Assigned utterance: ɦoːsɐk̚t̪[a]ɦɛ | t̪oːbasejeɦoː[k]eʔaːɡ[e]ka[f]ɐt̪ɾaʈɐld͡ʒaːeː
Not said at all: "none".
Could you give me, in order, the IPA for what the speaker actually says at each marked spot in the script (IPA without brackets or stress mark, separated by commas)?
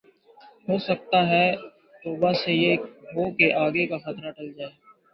a, k, e, x